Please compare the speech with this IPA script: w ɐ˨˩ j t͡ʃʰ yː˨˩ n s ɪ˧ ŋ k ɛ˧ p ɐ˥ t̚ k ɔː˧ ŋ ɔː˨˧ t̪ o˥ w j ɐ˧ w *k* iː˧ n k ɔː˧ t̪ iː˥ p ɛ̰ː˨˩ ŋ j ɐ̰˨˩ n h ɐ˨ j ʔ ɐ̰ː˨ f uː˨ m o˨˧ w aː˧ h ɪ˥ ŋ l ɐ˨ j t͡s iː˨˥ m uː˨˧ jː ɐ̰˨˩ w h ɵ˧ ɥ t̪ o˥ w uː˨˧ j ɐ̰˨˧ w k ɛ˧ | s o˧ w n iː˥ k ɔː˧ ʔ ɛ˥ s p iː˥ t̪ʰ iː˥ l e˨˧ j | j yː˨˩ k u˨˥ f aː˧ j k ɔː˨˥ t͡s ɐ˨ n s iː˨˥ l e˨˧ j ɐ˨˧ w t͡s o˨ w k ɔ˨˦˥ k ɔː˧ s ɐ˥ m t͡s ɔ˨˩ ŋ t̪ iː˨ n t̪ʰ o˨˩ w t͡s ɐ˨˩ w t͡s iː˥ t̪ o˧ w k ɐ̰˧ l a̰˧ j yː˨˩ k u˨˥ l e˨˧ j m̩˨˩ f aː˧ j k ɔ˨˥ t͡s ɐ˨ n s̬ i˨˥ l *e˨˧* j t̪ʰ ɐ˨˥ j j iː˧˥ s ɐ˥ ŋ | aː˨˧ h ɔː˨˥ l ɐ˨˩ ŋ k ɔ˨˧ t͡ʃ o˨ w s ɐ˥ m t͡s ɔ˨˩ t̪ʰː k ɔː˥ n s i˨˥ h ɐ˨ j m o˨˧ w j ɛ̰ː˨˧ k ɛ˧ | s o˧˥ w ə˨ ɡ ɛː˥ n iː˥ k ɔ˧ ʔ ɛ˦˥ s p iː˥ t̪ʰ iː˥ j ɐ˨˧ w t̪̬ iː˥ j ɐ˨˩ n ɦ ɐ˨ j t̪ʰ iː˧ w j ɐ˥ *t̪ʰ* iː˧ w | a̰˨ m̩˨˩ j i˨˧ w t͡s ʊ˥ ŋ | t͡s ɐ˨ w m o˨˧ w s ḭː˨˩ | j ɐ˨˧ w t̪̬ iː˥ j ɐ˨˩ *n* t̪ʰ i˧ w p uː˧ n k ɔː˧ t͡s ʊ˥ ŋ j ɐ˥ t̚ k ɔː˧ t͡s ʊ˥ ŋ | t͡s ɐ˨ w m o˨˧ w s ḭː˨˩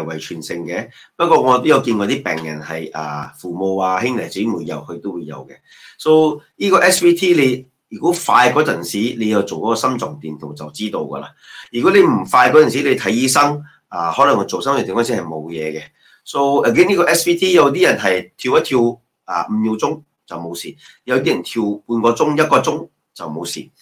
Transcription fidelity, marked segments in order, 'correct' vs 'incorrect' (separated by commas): correct, correct, correct, correct